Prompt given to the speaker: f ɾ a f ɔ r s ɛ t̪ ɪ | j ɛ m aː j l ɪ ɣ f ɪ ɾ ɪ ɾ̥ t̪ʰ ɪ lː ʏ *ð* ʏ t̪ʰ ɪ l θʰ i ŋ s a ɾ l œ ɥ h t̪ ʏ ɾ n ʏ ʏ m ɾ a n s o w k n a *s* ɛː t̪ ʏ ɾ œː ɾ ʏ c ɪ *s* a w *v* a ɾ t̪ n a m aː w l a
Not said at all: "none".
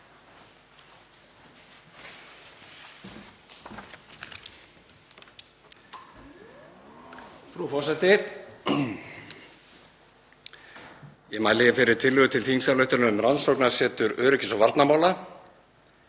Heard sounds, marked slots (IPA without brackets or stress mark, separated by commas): ɣ, s, s, v